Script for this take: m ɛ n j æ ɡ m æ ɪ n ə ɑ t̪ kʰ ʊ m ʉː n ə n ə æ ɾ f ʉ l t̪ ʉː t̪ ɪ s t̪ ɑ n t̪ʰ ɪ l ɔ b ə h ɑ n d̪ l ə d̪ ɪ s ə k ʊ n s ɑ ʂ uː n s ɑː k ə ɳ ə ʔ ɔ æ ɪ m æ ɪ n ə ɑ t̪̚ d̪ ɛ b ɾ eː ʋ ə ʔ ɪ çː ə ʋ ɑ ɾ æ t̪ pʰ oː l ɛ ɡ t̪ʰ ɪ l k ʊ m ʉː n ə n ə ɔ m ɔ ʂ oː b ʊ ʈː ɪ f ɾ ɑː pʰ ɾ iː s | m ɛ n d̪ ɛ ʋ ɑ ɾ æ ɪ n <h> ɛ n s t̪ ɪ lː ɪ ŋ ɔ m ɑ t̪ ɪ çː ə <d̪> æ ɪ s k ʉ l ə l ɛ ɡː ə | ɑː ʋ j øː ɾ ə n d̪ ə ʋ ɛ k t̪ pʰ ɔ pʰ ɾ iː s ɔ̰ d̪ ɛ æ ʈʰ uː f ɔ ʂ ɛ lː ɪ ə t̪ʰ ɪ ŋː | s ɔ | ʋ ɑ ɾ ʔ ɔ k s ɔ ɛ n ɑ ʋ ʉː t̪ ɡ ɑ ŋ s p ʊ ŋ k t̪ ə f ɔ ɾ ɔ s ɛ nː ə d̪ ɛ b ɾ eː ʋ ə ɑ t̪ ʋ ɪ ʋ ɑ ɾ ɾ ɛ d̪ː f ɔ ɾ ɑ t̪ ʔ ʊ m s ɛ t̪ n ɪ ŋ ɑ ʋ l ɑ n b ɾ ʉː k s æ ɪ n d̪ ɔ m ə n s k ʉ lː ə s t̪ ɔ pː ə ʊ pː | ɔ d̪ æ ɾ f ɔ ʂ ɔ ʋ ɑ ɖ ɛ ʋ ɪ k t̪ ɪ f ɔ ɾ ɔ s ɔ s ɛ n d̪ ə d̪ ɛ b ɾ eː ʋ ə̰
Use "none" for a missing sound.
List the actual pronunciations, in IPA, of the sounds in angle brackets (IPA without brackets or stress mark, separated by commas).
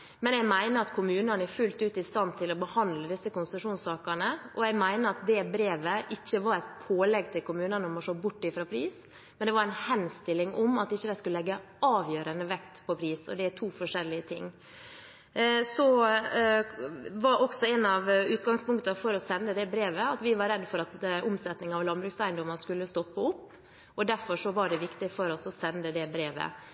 h, d̪